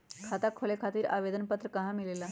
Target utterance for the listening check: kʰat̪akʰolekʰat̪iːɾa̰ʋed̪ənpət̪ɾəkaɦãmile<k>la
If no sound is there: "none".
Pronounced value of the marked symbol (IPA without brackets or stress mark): none